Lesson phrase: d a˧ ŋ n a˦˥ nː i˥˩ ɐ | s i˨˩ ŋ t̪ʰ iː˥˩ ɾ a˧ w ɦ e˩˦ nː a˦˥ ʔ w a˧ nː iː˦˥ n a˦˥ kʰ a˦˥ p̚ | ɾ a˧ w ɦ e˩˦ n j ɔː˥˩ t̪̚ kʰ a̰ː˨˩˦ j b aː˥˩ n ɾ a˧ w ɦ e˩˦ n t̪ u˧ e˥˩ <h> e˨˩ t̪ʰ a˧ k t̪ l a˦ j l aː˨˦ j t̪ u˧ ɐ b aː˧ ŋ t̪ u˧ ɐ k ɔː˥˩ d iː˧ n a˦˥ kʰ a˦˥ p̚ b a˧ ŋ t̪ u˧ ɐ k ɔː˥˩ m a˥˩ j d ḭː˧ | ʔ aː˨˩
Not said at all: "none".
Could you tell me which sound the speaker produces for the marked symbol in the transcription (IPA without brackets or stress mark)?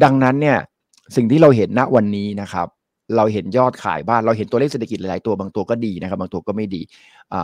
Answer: s